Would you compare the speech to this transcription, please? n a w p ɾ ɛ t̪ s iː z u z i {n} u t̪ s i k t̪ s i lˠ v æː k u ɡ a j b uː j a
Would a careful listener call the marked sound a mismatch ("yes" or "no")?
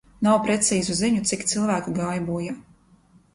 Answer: yes